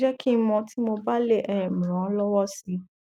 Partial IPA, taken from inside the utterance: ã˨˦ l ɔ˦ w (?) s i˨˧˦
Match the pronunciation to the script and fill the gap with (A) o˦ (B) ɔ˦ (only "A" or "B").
B